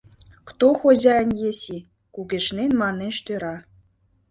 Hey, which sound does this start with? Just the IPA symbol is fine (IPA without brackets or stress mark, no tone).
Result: k